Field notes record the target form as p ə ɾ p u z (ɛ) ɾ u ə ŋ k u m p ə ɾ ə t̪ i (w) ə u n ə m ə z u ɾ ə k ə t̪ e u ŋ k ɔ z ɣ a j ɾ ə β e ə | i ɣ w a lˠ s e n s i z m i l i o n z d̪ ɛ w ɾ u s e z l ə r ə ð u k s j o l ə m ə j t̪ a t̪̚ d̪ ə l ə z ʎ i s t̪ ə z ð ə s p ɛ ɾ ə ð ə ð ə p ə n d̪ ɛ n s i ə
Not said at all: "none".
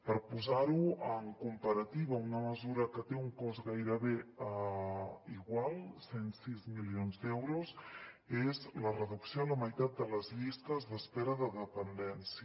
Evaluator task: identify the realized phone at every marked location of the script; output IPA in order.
a, β

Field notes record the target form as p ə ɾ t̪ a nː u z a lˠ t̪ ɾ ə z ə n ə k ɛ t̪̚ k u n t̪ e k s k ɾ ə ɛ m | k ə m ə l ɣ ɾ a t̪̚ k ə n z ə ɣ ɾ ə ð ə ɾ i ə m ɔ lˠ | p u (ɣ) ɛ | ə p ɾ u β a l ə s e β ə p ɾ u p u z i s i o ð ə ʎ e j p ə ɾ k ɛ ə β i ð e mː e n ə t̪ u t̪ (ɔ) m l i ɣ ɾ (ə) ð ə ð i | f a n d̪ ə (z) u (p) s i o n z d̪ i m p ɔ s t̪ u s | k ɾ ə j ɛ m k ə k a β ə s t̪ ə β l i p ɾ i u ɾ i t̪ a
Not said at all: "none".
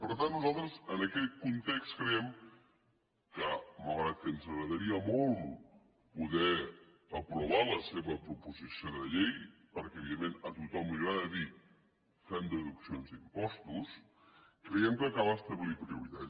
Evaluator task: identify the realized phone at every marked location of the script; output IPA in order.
ð, ɔ, a, ð, k

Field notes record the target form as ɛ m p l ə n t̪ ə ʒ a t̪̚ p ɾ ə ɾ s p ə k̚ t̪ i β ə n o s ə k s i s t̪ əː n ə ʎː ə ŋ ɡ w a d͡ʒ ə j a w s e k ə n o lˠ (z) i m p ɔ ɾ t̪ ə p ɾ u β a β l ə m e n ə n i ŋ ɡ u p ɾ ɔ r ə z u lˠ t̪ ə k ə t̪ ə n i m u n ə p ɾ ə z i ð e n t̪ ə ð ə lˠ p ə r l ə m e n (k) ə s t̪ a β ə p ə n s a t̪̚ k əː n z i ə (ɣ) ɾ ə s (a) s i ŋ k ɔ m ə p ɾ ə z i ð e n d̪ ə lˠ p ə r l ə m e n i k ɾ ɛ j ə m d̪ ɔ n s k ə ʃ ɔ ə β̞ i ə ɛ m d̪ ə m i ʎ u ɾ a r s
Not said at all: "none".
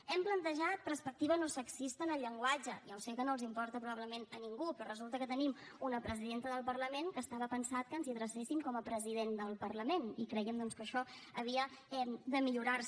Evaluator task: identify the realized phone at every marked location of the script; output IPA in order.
z, k, ð, e

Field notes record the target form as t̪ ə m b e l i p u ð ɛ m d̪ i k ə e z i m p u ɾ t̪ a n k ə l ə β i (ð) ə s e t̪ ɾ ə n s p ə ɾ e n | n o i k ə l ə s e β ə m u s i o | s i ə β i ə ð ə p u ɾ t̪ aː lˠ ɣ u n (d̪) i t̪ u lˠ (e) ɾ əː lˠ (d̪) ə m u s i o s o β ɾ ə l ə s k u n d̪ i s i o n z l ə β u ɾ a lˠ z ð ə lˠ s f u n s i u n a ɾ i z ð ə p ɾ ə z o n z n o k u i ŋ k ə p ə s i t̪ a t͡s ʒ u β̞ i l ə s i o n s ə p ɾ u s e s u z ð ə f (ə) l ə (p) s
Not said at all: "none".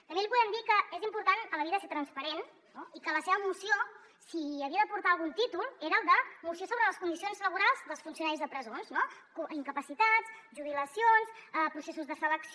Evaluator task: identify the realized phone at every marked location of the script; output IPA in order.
ð, t̪, e, d̪, ə, k

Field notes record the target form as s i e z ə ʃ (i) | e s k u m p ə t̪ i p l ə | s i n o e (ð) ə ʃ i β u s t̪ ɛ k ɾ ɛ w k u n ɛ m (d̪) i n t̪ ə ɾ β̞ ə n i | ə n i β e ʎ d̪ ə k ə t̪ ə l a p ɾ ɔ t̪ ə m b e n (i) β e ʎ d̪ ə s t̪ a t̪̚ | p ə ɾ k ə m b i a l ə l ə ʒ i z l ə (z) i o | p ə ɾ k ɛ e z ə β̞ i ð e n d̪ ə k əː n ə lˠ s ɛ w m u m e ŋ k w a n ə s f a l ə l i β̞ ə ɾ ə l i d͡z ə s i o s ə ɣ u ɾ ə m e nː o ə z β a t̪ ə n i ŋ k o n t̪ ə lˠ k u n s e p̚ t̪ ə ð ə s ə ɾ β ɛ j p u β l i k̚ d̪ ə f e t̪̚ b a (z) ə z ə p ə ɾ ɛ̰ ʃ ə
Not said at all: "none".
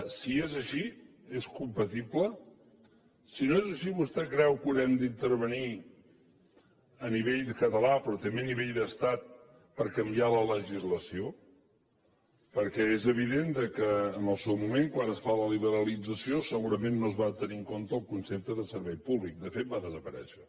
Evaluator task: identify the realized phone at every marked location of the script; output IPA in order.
i, z, d̪, i, s, ð

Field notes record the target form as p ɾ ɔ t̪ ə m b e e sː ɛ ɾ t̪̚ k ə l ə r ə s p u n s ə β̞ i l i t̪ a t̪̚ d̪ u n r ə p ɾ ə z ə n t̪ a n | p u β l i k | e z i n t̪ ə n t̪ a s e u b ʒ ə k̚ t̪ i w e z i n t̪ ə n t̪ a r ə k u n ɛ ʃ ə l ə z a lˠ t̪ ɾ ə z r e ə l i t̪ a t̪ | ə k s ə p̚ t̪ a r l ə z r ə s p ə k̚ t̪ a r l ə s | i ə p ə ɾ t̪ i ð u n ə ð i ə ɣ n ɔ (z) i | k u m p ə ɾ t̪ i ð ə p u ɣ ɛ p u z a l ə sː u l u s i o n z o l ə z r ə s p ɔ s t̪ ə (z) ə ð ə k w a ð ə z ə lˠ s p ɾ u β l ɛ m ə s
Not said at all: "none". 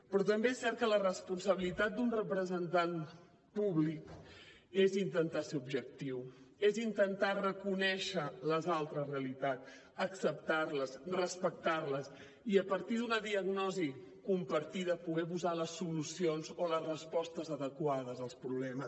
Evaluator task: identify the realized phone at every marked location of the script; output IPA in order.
z, z

